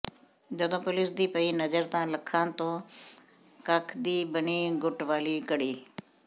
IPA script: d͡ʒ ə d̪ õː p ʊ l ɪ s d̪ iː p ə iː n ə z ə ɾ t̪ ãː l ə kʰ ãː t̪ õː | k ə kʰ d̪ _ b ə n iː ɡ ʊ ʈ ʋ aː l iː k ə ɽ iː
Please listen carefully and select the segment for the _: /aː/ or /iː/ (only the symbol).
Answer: iː